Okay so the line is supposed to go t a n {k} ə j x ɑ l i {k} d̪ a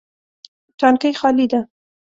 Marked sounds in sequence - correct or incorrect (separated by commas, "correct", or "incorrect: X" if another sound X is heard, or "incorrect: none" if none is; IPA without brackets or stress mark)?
correct, incorrect: none